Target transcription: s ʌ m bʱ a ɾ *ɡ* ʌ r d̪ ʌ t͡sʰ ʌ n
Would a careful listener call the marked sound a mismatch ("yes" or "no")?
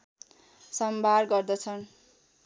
no